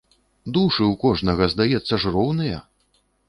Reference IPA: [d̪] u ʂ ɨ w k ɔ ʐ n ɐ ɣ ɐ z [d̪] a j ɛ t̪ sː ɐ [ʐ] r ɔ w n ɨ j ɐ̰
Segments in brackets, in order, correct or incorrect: correct, correct, correct

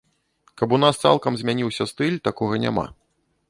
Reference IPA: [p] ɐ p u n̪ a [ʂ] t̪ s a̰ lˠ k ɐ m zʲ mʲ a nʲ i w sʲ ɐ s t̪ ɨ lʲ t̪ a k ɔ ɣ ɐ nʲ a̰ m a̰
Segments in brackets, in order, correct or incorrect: incorrect: k, incorrect: s

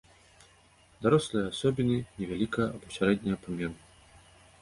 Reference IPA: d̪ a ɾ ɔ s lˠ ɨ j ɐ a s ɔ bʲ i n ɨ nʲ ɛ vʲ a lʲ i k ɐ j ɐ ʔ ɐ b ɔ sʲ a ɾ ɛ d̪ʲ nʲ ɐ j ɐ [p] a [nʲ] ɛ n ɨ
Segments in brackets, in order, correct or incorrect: correct, incorrect: mʲ

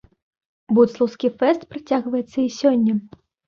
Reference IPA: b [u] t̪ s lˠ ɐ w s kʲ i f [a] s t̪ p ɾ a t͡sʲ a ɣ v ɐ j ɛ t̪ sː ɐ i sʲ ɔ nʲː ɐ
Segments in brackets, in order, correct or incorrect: correct, incorrect: ɛ

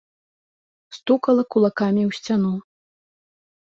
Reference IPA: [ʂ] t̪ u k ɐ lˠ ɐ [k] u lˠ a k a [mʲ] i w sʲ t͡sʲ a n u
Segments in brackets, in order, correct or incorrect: incorrect: s, correct, correct

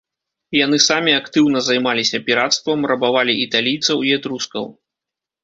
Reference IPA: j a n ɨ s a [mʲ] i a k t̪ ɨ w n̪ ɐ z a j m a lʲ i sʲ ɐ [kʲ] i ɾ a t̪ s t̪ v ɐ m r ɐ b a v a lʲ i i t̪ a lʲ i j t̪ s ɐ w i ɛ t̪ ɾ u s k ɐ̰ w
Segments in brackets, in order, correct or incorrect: correct, incorrect: pʲ

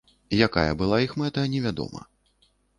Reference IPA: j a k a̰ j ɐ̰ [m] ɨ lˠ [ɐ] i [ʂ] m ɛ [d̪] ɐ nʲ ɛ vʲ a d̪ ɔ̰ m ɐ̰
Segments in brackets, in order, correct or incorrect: incorrect: b, incorrect: a, incorrect: x, incorrect: t̪

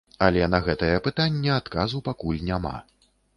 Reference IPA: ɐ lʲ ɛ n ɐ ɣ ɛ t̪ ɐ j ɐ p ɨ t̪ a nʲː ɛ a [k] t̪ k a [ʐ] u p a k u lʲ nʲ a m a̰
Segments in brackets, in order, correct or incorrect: incorrect: none, incorrect: z

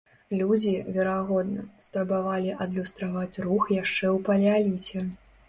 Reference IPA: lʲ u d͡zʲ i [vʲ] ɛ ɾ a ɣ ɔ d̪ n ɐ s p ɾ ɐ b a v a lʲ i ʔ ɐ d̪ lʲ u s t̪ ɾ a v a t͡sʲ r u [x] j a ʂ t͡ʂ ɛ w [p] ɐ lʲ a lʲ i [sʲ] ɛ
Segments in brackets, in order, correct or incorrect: correct, correct, correct, incorrect: t͡sʲ

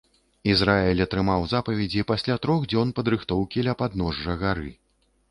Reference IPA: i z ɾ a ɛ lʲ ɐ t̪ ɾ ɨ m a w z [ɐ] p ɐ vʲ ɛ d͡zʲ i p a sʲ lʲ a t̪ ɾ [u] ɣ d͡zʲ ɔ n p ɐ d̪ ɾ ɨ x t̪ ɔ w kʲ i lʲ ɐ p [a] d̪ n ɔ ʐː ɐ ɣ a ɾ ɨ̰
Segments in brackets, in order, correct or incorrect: incorrect: a, incorrect: ɔ, correct

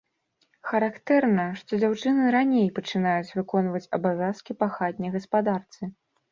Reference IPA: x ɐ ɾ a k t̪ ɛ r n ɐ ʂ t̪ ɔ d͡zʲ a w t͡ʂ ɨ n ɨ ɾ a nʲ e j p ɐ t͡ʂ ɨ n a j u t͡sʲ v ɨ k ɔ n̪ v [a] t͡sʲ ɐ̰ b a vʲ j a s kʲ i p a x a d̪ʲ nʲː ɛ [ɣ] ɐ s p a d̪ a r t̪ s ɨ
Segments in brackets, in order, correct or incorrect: incorrect: ɐ, correct

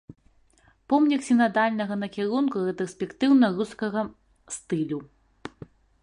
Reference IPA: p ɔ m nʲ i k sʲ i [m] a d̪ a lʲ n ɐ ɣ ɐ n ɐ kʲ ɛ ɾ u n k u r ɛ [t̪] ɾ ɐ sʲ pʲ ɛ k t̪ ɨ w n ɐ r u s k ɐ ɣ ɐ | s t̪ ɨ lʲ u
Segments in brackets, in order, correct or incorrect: incorrect: n, correct

